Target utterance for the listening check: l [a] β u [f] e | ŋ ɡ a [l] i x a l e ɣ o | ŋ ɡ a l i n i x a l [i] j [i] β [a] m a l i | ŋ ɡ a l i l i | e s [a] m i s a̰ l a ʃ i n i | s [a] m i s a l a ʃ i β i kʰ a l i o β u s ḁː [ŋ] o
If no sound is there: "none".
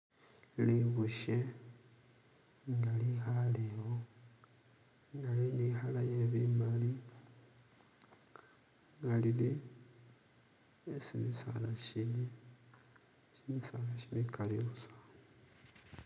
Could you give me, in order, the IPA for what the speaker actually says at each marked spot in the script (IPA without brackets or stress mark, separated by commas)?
i, ʃ, l, a, e, i, i, i, n